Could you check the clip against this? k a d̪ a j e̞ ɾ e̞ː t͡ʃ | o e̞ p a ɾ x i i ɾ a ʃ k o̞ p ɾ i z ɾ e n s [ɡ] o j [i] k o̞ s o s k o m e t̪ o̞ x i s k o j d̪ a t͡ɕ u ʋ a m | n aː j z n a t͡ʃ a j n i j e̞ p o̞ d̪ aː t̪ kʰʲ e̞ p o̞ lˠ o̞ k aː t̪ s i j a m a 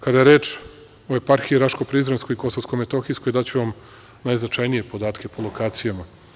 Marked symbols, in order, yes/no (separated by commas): no, yes